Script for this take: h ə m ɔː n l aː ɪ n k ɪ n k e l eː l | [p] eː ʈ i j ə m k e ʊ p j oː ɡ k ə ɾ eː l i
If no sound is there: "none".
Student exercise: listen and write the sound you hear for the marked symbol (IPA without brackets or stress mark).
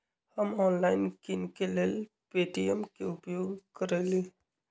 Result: p